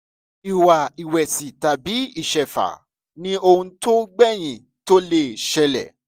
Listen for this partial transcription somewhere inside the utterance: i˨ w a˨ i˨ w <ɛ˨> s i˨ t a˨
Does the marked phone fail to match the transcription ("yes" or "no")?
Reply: no